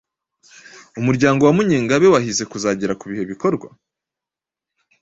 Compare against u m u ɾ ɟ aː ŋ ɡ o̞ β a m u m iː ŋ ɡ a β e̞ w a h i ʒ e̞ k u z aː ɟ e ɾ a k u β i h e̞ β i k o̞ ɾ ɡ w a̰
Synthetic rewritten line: u m u ɾ ɟ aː ŋ ɡ o̞ w a m u ɲ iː ŋ ɡ a β e̞ w a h i z e̞ k u z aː ɟ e ɾ a k u β i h e̞ β i k o̞ ɾ ɡ w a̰